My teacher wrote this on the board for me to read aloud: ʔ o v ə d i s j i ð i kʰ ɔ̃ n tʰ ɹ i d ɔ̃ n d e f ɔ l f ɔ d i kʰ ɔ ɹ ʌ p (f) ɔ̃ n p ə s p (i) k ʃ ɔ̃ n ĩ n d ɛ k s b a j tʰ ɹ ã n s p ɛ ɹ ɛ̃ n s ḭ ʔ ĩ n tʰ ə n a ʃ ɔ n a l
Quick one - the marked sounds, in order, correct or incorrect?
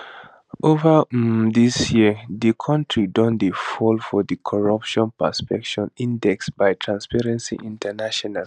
incorrect, incorrect

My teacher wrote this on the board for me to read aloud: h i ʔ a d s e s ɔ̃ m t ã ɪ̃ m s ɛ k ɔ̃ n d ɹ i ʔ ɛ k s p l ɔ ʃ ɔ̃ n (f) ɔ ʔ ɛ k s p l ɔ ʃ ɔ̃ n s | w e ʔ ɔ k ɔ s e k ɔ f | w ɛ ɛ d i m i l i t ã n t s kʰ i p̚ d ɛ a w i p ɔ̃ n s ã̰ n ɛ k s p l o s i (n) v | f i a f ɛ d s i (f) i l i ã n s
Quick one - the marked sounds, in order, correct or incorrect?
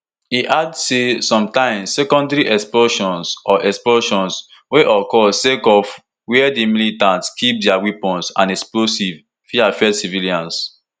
incorrect, incorrect, incorrect

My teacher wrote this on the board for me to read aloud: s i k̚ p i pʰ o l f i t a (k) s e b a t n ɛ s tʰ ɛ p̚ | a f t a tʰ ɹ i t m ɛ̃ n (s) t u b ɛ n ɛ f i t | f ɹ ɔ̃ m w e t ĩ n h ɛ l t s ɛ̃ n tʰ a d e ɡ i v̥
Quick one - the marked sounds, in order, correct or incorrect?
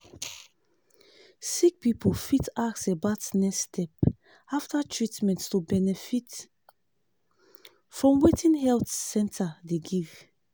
correct, incorrect

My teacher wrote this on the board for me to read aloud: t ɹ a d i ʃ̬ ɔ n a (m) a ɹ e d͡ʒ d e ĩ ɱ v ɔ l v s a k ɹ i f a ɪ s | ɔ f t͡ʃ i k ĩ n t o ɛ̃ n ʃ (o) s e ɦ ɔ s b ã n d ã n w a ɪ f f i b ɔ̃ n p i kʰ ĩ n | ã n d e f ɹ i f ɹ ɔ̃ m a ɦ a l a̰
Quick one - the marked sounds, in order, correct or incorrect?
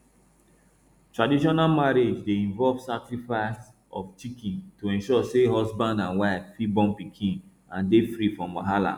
correct, incorrect

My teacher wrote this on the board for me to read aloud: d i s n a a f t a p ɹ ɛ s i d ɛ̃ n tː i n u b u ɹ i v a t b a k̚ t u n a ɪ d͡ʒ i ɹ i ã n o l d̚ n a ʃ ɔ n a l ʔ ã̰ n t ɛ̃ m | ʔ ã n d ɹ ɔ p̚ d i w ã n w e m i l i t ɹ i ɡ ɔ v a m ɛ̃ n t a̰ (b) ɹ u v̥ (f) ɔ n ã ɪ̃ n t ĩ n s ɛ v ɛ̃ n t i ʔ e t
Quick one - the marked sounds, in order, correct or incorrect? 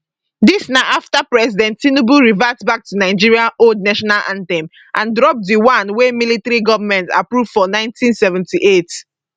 incorrect, correct

